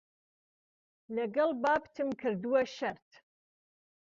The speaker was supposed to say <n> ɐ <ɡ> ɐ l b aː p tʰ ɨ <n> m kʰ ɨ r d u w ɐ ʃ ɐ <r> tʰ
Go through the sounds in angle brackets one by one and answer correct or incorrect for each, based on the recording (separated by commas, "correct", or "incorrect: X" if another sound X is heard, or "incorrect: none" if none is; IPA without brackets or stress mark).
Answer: correct, correct, incorrect: none, correct